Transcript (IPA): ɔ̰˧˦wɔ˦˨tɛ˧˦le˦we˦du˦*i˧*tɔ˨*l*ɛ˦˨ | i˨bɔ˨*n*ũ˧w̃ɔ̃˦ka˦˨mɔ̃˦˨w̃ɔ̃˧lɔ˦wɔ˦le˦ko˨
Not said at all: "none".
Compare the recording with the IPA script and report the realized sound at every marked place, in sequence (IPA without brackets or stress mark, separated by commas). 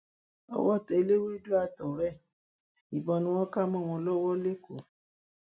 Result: a˧, ɾ, n